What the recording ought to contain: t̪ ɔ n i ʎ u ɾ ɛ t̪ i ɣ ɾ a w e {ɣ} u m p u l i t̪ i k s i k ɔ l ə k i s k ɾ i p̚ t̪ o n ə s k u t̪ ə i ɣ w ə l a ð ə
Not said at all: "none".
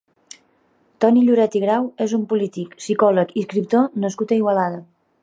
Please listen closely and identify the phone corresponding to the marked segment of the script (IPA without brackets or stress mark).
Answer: z